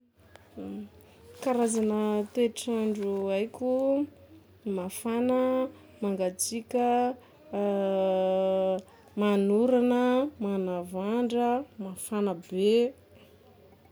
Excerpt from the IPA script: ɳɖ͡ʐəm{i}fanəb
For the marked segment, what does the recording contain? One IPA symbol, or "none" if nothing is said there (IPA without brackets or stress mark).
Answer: a